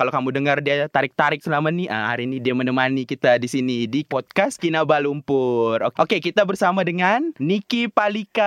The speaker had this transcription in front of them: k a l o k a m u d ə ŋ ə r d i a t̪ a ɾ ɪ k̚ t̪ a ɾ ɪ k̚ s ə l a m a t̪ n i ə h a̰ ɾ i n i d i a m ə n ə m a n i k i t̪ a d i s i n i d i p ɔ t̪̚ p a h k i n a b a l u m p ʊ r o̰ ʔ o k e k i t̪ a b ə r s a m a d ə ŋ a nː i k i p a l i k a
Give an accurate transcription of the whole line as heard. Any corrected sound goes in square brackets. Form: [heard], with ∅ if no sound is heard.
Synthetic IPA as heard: k a l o k a m u d ə ŋ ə r d i a t̪ a ɾ ɪ k̚ t̪ a ɾ ɪ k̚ s ə l a m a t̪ n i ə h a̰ ɾ i n i d i a m ə n ə m a n i k i t̪ a d i s i n i d i p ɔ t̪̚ [k] a [s] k i n a b a l u m p ʊ r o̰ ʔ o k e k i t̪ a b ə r s a m a d ə ŋ a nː i k i p a l i k a